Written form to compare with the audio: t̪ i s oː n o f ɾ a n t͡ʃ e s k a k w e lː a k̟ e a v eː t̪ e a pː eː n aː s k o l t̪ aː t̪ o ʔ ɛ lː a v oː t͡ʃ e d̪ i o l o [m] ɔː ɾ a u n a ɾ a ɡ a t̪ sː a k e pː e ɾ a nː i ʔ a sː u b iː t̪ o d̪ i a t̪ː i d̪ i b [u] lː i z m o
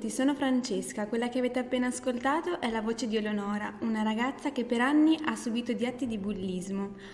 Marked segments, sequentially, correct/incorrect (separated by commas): incorrect, correct